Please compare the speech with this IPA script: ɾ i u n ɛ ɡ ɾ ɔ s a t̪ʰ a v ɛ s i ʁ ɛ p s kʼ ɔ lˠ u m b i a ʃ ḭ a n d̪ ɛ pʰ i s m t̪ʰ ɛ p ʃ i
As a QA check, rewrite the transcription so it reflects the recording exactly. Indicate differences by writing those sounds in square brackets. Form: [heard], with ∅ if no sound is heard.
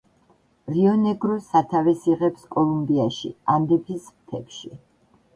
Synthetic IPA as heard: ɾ i [ɔ] n ɛ ɡ ɾ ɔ s a t̪ʰ a v ɛ s i ʁ ɛ p s kʼ ɔ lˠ u m b i a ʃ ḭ a n d̪ ɛ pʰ i s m t̪ʰ ɛ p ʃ i